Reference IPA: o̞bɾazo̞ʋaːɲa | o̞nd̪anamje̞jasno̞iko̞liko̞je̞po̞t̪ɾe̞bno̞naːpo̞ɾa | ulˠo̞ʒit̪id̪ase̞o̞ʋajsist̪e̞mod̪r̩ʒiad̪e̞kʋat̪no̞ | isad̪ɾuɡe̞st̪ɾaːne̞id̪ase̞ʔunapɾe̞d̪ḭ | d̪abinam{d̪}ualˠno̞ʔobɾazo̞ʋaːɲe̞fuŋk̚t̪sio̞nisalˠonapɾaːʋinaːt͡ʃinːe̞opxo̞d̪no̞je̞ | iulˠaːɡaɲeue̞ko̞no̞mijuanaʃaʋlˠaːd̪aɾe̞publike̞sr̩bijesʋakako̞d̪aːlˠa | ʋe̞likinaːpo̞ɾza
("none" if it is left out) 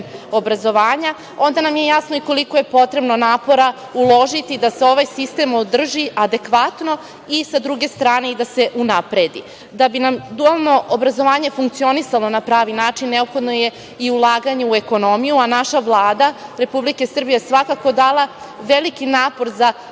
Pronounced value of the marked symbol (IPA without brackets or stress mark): d̪